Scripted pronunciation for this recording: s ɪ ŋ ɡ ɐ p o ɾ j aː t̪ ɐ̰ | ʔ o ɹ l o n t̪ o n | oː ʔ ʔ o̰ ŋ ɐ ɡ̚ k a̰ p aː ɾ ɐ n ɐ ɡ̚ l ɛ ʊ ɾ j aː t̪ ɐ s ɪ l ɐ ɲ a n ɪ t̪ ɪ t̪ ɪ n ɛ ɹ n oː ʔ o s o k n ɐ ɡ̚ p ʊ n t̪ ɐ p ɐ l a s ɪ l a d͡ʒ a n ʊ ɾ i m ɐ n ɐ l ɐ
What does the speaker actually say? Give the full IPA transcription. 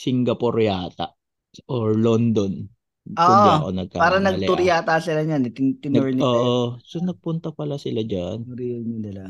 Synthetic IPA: s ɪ ŋ ɡ ɐ p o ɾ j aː t̪ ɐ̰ | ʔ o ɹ l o n d̪ o n | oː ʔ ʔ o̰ n ɐ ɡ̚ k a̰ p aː ɾ ɐ n ɐ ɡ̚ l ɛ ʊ ɾ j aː t̪ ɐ s ɪ l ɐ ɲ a n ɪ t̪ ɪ t̪ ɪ n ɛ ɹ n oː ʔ o s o n ɐ ɡ̚ p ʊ n t̪ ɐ p ɐ l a s ɪ l a d͡ʒ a n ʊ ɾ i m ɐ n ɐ l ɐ